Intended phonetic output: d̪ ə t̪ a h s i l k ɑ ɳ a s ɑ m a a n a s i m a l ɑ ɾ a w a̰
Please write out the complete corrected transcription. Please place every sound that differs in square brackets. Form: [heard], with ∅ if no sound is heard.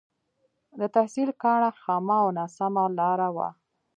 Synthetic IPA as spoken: d̪ ə t̪ a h s i l k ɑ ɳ a [x] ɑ m a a n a s [a] m a l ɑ ɾ a w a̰